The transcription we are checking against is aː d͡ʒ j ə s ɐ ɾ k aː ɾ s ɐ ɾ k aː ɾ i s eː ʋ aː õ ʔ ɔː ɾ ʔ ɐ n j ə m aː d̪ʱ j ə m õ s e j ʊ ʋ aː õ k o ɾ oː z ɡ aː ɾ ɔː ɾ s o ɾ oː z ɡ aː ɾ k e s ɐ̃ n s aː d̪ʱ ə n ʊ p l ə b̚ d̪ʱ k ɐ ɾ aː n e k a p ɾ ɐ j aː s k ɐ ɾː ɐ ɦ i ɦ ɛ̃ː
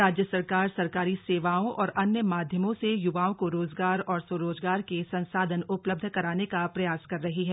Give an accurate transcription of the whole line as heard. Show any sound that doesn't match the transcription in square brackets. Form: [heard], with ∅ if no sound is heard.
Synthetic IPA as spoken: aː d͡ʒ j ə s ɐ ɾ k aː ɾ s ɐ ɾ k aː ɾ i s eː ʋ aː õ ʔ ɔː ɾ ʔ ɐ n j ə m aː d̪ʱ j ə m õ s e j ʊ ʋ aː õ k o ɾ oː z ɡ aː ɾ ɔː ɾ s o ɾ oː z ɡ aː ɾ k e s ɐ̃ n s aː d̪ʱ ə n ʊ p l ə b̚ d̪ʱ k ɐ ɾ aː n e k a p ɾ ɐ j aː s k ɐ ɾː ɐ ɦ i ɦ [ɛː]